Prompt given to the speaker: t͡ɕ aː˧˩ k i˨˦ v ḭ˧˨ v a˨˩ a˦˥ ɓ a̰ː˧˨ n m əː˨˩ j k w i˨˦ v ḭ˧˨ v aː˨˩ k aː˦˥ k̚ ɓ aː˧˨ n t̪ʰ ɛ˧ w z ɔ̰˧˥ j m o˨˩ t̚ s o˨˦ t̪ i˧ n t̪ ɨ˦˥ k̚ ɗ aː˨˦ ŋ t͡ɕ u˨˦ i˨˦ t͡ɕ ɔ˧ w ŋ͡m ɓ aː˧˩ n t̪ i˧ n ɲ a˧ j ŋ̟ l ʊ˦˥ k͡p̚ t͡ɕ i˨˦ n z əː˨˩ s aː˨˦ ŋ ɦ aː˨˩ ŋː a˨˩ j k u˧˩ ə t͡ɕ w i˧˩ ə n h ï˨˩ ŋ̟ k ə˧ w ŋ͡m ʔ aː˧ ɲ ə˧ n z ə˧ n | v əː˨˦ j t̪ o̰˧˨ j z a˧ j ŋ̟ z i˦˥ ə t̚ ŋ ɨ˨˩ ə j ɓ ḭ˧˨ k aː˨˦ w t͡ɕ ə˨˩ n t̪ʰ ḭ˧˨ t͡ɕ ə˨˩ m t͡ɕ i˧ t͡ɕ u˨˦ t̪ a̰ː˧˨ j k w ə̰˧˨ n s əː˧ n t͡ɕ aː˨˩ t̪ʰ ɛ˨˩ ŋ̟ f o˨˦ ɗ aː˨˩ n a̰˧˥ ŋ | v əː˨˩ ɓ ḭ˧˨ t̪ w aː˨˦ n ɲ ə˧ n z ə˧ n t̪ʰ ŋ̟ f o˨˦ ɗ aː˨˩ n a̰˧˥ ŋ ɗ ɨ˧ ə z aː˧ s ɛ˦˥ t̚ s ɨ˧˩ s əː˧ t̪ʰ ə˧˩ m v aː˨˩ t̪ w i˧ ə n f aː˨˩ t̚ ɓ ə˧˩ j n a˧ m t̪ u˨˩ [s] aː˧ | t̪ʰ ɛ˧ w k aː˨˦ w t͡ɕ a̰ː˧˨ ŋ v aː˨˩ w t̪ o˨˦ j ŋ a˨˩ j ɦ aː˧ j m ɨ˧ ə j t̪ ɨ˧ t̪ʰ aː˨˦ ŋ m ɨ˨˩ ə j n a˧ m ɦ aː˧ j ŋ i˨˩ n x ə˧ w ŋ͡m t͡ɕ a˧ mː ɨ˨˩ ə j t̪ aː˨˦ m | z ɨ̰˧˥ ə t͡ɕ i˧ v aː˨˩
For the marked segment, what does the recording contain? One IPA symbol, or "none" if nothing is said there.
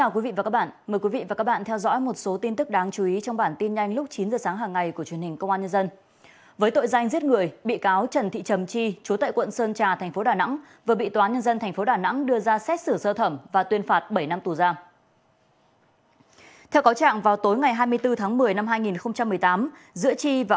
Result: z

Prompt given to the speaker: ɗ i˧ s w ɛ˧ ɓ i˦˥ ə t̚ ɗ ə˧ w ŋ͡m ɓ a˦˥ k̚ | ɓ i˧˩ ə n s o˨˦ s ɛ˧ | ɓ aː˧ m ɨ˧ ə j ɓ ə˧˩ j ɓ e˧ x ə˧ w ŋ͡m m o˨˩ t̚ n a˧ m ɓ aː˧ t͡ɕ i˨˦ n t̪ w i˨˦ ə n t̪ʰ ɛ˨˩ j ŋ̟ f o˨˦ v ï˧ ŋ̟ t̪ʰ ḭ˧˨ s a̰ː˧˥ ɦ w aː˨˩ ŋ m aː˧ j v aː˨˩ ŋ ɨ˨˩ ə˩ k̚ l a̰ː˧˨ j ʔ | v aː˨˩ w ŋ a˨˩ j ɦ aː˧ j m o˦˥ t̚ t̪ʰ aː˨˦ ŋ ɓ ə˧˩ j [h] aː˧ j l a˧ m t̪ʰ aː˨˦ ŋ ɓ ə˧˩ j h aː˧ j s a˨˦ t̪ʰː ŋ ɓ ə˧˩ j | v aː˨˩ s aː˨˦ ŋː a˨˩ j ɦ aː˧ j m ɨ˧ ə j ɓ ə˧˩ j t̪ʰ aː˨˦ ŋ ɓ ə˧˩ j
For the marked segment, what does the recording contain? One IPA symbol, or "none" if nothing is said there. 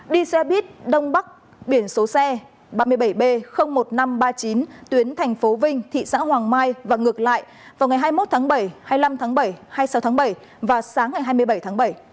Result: h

